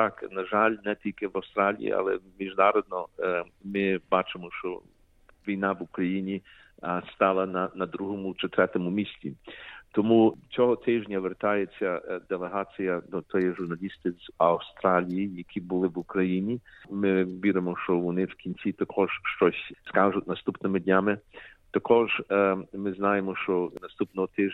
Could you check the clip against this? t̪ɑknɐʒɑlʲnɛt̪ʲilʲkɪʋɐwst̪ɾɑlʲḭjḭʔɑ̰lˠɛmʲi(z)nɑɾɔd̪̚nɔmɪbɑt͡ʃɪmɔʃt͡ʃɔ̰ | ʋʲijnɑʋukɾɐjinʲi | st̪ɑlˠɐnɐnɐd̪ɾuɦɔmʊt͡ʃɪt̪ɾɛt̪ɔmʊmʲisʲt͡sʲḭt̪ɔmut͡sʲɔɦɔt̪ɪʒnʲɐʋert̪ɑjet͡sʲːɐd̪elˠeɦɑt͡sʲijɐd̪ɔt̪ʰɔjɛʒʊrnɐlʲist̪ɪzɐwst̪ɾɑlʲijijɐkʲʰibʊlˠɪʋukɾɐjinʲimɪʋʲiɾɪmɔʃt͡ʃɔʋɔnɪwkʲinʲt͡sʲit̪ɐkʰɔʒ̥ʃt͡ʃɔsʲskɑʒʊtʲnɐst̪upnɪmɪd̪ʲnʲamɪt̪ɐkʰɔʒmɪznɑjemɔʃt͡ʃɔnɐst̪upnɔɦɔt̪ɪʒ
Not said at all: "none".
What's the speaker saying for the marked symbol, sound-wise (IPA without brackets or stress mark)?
ʒ